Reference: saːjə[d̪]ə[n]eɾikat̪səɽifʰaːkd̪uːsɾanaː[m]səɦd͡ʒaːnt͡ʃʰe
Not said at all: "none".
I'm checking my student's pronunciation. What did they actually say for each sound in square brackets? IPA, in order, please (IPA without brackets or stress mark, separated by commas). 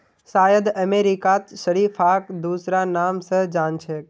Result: d̪, m, m